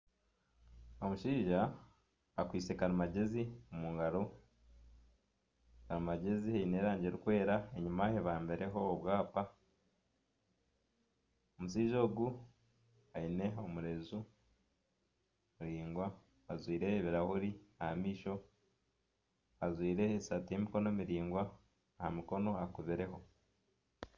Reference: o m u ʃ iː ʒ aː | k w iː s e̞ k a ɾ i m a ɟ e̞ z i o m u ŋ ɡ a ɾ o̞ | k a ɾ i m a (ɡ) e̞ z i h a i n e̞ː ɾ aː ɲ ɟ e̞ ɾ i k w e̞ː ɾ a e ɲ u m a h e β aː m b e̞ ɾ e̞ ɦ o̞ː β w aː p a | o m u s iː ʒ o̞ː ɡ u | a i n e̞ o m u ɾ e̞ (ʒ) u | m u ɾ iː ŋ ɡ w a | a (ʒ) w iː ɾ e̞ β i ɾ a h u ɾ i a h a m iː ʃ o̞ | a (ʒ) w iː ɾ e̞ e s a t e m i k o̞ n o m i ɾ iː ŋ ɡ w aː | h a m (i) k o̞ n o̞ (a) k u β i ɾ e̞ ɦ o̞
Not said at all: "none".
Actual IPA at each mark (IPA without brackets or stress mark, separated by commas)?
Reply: ɟ, z, z, z, i, a